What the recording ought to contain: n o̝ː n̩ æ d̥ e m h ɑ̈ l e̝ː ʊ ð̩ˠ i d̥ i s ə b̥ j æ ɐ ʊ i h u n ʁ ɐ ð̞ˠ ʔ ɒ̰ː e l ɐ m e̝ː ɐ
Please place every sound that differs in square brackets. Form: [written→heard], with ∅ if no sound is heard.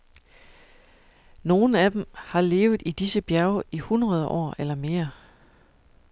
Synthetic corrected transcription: n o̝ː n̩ æ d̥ e m h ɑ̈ l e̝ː ʊ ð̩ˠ i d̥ i s ə b̥ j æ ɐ ʊ i h u n ʁ ɐ ð̞ˠ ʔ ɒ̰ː e l ɐ m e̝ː ɐ